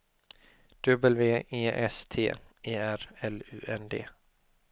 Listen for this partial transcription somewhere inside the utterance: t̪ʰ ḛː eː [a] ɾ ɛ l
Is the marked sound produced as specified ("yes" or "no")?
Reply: no